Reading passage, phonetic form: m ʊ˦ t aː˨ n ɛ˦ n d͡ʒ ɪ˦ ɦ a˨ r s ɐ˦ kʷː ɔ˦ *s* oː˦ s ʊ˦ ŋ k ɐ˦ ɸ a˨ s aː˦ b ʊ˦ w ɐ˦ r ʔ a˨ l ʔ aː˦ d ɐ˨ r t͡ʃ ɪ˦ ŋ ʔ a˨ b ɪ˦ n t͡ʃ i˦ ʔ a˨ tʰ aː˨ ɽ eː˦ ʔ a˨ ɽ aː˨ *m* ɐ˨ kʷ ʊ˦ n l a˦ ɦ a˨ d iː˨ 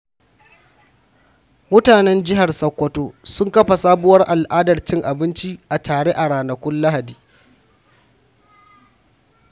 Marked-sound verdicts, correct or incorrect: incorrect, incorrect

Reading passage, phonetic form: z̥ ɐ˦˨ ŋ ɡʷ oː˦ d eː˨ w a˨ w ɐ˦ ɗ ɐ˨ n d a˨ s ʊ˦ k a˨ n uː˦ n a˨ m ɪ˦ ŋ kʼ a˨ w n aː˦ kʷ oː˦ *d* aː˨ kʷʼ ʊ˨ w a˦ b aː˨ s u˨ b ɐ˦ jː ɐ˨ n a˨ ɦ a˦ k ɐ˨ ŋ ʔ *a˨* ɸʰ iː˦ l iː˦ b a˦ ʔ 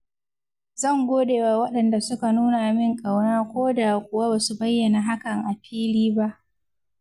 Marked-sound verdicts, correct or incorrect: correct, correct

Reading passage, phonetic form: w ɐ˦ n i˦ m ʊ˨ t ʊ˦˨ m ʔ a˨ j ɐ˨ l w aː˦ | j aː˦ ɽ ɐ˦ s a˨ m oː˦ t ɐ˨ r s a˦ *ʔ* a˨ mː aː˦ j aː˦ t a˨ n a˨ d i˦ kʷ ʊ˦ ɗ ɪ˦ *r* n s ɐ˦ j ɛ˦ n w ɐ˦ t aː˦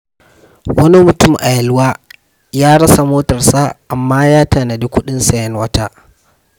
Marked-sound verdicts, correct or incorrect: correct, incorrect

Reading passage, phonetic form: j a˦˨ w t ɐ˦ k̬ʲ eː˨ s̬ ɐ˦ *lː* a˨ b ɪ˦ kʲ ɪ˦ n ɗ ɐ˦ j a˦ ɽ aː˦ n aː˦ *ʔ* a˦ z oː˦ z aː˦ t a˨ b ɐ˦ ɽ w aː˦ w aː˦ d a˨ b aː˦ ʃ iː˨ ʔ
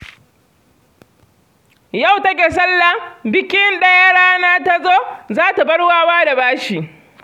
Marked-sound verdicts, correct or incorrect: correct, incorrect

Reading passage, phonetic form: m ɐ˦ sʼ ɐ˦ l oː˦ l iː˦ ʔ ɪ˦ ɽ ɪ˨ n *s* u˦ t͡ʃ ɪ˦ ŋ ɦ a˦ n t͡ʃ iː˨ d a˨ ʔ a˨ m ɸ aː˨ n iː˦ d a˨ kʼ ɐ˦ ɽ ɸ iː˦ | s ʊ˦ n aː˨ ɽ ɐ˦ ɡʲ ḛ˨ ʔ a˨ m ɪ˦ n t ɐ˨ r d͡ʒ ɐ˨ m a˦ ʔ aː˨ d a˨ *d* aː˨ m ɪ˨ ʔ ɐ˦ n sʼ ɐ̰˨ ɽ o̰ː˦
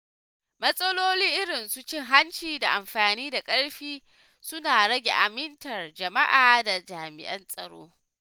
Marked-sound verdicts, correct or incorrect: correct, incorrect

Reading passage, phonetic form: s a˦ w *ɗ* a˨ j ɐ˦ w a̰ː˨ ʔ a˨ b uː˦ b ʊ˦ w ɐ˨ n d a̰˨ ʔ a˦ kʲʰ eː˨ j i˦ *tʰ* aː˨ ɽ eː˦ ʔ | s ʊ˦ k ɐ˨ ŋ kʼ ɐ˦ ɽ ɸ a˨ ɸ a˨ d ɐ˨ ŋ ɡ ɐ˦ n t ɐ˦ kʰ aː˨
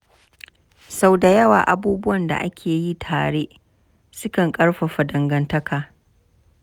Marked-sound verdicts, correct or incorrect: incorrect, correct

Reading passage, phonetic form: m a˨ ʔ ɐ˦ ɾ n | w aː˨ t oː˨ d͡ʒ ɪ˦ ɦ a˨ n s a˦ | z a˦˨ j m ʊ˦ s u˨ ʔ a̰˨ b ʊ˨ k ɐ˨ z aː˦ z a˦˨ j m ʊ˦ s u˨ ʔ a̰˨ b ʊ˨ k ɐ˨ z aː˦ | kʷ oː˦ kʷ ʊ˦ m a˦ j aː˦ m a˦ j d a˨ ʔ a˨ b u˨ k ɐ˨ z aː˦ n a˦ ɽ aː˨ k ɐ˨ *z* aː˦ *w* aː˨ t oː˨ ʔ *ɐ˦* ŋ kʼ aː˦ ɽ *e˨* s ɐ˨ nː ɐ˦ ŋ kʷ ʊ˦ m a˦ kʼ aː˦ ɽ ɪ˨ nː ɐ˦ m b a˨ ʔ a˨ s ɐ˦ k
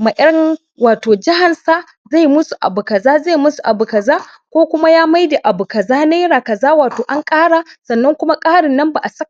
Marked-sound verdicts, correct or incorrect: correct, correct, incorrect, incorrect

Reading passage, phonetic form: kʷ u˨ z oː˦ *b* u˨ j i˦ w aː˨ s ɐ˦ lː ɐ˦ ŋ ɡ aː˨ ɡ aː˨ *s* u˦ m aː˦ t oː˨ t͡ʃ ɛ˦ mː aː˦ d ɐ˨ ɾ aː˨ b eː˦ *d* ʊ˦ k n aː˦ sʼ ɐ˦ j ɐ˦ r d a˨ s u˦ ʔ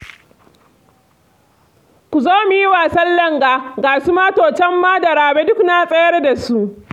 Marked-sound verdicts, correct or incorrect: incorrect, correct, correct

